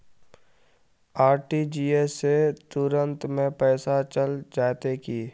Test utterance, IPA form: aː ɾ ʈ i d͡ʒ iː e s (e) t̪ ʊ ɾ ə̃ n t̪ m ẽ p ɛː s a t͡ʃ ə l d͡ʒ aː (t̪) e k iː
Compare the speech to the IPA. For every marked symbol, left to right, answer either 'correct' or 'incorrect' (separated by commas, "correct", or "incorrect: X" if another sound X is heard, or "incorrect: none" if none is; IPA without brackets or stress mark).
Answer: correct, correct